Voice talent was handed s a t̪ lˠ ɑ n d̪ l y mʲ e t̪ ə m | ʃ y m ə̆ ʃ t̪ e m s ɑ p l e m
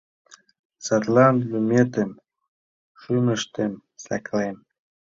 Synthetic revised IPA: s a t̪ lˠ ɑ n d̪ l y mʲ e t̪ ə m | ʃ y m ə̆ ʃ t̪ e m s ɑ k l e m